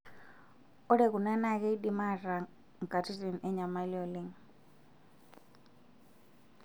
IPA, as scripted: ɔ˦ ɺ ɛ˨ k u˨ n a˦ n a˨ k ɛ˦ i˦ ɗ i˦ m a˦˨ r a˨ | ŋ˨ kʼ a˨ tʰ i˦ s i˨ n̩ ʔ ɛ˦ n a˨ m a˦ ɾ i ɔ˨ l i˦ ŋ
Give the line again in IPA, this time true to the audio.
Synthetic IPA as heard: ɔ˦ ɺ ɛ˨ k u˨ n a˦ n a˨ k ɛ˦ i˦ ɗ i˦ m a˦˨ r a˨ | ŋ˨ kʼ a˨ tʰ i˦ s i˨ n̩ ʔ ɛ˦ ɲ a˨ m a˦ l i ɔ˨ l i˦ ŋ